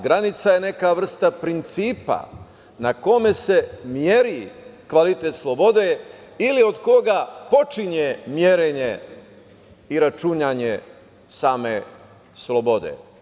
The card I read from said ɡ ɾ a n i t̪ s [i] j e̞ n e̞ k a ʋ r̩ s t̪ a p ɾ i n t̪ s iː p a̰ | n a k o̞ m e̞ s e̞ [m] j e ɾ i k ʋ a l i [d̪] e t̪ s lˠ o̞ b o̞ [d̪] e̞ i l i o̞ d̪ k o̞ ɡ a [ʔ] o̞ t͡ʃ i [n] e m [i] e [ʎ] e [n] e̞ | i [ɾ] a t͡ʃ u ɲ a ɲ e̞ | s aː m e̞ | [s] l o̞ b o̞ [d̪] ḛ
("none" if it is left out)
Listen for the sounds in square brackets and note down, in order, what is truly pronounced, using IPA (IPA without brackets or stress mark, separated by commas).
a, m, t̪, d̪, p, ɲ, j, ɾ, ɲ, ɾ, s, d̪